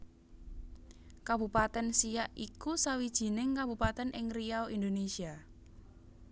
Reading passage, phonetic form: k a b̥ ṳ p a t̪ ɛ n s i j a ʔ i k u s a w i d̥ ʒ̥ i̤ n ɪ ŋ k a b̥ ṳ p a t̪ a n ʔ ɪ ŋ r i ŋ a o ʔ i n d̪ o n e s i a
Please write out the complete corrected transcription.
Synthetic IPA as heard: k a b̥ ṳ p a t̪ ɛ n s i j a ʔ i k u s a w i d̥ ʒ̥ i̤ n ɪ ŋ k a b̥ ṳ p a t̪ ɛ n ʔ ɪ ŋ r i a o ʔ i n d̪ o n e s i a